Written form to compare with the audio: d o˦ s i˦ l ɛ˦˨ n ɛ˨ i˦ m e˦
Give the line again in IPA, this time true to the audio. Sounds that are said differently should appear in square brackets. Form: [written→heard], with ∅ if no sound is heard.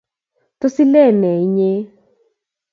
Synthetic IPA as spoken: [d→t] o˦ s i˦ l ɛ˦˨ n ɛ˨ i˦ [m→ɲ] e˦